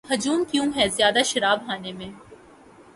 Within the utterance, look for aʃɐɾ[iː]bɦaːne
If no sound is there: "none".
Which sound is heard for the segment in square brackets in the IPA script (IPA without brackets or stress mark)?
aː